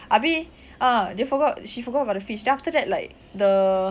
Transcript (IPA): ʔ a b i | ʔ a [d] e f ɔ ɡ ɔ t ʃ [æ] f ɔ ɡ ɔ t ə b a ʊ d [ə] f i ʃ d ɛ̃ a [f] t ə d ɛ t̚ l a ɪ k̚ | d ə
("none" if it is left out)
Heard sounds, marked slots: d, i, ə, f

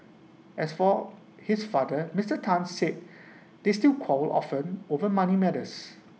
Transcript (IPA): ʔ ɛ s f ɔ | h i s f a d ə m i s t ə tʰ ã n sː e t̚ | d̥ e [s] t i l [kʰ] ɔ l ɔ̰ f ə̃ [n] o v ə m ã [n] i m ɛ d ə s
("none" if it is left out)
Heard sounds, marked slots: s, kʰ, n, n

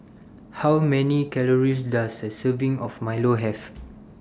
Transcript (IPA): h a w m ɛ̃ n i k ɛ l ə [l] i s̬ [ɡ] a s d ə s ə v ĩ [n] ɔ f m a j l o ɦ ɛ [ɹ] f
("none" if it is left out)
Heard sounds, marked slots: ɹ, d, ŋ, none

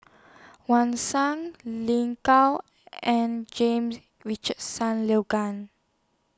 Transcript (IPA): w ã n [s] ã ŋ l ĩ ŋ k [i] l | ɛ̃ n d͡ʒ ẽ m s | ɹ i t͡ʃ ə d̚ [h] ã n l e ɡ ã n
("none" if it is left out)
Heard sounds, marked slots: s, a, s

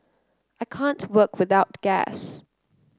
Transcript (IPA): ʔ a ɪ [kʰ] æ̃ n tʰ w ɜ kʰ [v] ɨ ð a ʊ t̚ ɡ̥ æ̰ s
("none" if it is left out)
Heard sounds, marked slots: kʰ, w

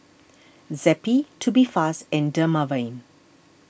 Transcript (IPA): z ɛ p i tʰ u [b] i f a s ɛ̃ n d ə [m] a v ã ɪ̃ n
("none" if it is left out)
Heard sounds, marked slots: b, m

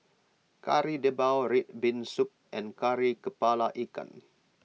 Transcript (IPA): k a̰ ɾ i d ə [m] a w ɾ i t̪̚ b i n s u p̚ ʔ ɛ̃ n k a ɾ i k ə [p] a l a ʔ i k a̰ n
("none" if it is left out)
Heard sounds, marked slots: b, p

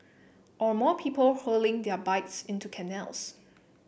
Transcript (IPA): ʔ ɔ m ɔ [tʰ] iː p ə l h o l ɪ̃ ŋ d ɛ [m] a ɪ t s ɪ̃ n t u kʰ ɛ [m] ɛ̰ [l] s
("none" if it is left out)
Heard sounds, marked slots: pʰ, b, n, l

